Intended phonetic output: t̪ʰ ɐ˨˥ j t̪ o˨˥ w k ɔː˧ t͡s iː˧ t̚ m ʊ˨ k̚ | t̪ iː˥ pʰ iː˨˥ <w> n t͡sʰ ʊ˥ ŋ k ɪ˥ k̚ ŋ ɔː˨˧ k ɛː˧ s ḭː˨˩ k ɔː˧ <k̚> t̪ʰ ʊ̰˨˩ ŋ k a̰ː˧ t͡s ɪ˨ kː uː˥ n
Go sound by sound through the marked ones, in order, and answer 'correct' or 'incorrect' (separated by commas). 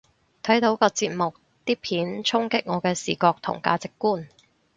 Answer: incorrect, correct